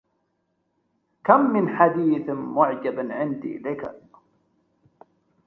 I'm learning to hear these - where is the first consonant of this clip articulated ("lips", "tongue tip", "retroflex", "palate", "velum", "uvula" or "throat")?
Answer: velum